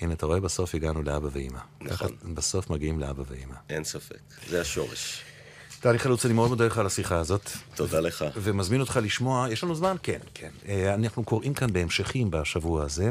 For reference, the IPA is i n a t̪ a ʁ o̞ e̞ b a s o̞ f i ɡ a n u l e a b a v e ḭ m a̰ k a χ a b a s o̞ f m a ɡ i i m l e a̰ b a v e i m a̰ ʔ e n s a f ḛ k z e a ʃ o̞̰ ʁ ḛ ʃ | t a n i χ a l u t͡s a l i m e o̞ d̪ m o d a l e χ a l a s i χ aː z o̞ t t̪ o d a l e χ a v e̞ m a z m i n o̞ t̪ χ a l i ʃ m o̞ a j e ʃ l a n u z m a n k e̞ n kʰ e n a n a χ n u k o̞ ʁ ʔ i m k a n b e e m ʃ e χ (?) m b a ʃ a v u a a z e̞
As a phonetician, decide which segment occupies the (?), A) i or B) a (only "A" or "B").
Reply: A